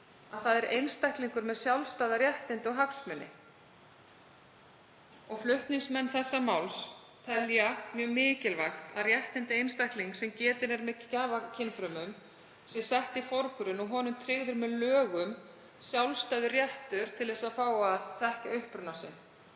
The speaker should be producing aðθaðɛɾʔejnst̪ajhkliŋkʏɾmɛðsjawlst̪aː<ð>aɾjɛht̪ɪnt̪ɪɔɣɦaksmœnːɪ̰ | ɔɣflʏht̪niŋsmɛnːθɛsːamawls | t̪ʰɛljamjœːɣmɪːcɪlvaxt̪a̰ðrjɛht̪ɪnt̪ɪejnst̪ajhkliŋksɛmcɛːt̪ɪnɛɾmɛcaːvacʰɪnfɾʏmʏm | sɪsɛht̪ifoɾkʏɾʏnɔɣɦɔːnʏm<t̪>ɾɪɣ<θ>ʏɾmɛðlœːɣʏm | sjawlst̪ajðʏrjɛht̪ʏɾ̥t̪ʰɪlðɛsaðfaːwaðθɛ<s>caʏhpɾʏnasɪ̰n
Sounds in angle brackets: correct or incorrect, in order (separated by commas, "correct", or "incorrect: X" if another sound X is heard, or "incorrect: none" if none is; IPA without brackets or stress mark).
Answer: correct, incorrect: t̪ʰ, incorrect: ð, incorrect: h